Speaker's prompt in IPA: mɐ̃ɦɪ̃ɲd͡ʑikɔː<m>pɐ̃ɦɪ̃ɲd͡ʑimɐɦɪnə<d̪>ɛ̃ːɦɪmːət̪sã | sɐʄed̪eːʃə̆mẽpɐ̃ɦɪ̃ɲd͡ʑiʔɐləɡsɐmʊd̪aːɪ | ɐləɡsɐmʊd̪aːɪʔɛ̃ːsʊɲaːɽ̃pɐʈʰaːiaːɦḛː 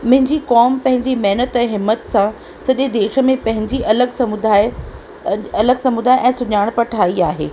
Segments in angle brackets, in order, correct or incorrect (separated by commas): correct, incorrect